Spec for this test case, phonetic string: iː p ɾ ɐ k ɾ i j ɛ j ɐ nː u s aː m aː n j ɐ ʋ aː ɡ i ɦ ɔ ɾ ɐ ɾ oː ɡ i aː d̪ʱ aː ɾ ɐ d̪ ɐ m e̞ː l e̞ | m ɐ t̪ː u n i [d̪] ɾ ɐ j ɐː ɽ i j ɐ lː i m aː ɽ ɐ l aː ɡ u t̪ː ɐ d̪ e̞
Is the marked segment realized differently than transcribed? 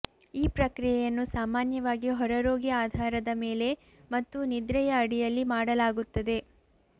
no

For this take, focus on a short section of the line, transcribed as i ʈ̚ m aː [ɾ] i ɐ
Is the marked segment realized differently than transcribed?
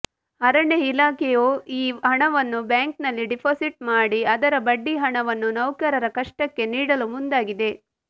yes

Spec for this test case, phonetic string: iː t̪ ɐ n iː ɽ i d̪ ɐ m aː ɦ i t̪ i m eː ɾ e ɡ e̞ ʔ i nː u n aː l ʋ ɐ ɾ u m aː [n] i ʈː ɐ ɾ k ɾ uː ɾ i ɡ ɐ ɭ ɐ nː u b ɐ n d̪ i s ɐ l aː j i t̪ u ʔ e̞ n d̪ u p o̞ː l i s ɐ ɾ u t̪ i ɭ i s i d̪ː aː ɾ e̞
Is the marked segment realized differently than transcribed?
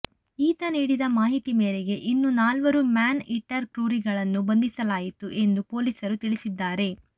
no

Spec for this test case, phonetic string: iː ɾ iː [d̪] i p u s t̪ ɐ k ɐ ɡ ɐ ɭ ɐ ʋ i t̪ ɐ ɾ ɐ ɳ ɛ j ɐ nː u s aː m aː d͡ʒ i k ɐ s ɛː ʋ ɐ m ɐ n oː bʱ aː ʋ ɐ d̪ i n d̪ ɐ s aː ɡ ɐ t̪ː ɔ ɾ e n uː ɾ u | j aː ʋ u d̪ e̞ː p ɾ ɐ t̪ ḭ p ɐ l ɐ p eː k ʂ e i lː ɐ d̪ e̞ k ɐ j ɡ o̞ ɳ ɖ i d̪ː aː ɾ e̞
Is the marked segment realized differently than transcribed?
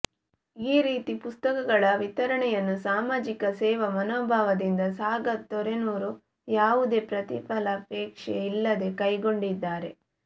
yes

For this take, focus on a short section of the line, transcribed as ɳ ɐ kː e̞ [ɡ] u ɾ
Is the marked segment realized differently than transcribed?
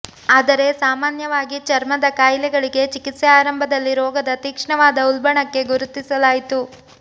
no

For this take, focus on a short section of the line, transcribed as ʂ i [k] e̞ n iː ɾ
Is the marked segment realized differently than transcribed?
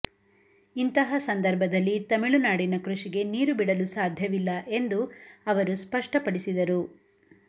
yes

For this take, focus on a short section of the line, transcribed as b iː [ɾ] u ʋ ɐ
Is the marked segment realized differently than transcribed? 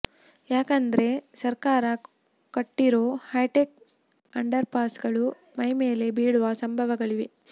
yes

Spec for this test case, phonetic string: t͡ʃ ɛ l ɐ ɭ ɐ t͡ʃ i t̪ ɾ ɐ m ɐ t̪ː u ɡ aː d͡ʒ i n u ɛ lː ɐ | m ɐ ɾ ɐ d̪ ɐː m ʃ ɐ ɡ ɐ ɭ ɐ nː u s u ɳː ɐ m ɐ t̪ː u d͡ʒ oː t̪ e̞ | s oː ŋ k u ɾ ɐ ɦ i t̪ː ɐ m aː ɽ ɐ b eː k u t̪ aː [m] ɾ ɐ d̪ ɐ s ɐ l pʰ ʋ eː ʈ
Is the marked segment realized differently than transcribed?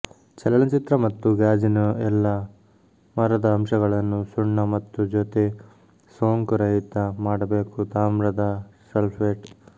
no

